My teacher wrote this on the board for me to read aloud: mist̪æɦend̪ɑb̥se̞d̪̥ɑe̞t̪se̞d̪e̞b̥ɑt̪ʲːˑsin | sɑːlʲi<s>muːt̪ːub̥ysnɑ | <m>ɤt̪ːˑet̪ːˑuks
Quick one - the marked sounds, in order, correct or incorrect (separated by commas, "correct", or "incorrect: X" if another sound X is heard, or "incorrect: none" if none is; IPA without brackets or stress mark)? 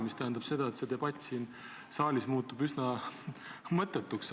correct, correct